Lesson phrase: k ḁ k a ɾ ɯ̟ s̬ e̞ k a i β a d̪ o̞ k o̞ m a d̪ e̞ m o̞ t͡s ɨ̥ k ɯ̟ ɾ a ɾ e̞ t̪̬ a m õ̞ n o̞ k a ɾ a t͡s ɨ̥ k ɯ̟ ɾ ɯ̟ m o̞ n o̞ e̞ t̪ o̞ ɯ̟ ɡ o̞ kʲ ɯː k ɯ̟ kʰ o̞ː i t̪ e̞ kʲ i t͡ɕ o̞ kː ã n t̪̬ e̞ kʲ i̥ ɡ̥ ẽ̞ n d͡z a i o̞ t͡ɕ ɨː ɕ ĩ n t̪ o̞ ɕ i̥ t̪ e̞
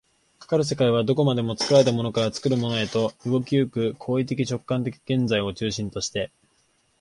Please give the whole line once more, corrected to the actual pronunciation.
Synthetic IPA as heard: k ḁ k a ɾ ɯ̟ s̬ e̞ k a i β a d̪ o̞ k o̞ m a d̪ e̞ m o̞ t͡s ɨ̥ k ɯ̟ ɾ a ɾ e̞ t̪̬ a m o̞ n o̞ k a ɾ a t͡s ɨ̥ k ɯ̟ ɾ ɯ̟ m o̞ n o̞ e̞ t̪ o̞ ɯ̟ ɡ o̞ kʲ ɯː k ɯ̟ kʰ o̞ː i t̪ e̞ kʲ i t͡ɕ o̞ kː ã n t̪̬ e̞ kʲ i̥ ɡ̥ ẽ̞ n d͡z a i o̞ t͡ɕ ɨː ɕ ĩ n t̪ o̞ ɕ i̥ t̪ e̞

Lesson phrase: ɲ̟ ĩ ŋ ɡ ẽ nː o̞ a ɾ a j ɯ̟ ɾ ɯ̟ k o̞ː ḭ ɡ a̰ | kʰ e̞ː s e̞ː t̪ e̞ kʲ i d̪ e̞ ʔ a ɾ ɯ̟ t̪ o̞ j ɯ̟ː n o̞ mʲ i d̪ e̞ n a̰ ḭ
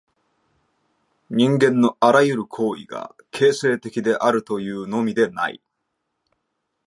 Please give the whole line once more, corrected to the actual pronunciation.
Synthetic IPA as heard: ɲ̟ ĩ ŋ ɡ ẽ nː o̞ a ɾ a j ɯ̟ ɾ ɯ̟ kʰ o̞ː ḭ ɡ a̰ | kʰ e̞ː s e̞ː t̪ e̞ kʲ i d̪ e̞ ʔ a ɾ ɯ̟ t̪ o̞ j ɯ̟ː n o̞ mʲ i d̪ e̞ n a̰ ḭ

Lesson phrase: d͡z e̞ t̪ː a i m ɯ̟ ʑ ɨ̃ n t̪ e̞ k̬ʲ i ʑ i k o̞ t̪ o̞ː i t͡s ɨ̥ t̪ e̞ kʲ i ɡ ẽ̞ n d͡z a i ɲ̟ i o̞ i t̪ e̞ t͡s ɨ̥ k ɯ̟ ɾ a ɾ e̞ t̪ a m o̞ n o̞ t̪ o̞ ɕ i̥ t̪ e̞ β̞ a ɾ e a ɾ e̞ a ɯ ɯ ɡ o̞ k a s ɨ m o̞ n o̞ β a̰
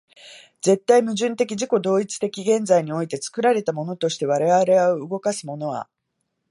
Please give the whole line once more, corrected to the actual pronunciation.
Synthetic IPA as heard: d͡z e̞ t̪ː a i m ɯ̟ ʑ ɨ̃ n t̪ e̞ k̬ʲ i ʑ i k o̞ d̪ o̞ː i t͡s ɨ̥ t̪ e̞ kʲ i ɡ ẽ̞ n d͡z a i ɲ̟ i o̞ i t̪ e̞ t͡s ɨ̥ k ɯ̟ ɾ a ɾ e̞ t̪ a m o̞ n o̞ t̪ o̞ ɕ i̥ t̪ e̞ β̞ a ɾ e a ɾ e̞ a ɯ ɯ ɡ o̞ k a s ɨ m o̞ n o̞ β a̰

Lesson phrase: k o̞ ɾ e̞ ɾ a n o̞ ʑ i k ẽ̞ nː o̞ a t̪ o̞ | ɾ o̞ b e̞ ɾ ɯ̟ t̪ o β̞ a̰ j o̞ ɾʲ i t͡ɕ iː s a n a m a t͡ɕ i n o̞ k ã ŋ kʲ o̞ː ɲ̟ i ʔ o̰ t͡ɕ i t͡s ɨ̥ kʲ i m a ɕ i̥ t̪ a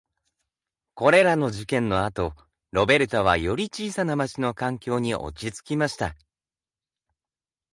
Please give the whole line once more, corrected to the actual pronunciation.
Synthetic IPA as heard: k o̞ ɾ e̞ ɾ a n o̞ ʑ i k ẽ̞ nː o̞ a t̪ o̞ | ɾ o̞ b e̞ ɾ ɯ̟ t̪ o β̞ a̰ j o̞ ɾʲ i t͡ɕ iː s a n a m a t͡ɕ i n o̞ k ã ŋ kʲ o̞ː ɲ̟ i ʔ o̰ t͡ɕ i t͡s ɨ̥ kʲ i m a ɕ i̥ t̪ a

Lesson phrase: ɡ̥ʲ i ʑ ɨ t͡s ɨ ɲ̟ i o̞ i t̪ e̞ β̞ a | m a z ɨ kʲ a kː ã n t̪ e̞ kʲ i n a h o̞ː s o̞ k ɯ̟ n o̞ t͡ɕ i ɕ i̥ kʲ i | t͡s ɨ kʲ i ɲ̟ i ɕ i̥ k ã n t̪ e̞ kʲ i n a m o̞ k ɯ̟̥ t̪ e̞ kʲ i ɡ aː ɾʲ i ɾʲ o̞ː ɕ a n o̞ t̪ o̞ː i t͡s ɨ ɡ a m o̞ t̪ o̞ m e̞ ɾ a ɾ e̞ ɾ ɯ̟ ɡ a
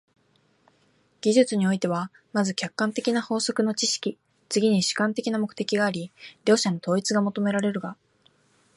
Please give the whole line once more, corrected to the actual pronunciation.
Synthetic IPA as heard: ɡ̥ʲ i ʑ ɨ t͡s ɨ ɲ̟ i o̞ i t̪ e̞ β̞ a | m a z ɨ kʲ a kː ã n t̪ e̞ kʲ i n a h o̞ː s o̞ k ɯ̟ n o̞ t͡ɕ i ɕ i̥ kʲ i | t͡s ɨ ɡʲ i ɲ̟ i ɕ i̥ k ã n t̪ e̞ kʲ i n a m o̞ k ɯ̟̥ t̪ e̞ kʲ i ɡ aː ɾʲ i ɾʲ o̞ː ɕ a n o̞ t̪ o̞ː i t͡s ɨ ɡ a m o̞ t̪ o̞ m e̞ ɾ a ɾ e̞ ɾ ɯ̟ ɡ a

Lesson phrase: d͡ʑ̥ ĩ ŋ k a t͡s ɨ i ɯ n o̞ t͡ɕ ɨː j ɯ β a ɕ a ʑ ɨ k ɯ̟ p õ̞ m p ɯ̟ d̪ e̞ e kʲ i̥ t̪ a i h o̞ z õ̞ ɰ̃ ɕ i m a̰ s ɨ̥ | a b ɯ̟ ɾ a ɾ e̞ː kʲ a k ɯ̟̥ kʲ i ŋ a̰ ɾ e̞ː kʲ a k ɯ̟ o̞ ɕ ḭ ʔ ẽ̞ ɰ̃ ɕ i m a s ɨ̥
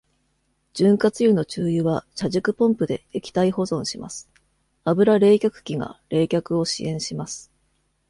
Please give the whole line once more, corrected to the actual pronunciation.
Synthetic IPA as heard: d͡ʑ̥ ɨ̃ ŋ k a t͡s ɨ j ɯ n o̞ t͡ɕ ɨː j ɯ β a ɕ a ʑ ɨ k ɯ̟ p õ̞ m p ɯ̟ d̪ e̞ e kʲ i̥ t̪ a i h o̞ z õ̞ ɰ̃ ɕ i m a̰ s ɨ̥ | a b ɯ̟ ɾ a ɾ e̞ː kʲ a k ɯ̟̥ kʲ i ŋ a̰ ɾ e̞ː kʲ a k ɯ̟ o̞ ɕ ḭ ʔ ẽ̞ ɰ̃ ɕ i m a s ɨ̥

